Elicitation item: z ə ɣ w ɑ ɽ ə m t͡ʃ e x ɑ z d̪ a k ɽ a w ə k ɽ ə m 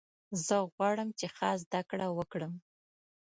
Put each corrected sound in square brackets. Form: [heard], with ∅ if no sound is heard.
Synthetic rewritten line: z ə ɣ w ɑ ɽ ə m t͡ʃ e x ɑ z d̪ a k ɽ a w ə k ɽ ə m